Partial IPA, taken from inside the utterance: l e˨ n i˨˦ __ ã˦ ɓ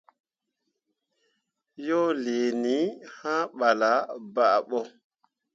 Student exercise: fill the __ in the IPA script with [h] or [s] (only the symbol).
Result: h